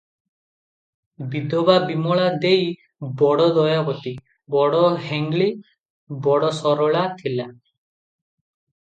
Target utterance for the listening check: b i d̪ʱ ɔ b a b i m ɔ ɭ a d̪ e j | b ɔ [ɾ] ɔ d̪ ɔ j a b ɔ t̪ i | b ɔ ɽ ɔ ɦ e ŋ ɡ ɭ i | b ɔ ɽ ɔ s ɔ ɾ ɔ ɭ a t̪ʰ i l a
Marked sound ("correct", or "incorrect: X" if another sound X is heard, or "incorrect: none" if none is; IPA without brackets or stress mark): incorrect: ɽ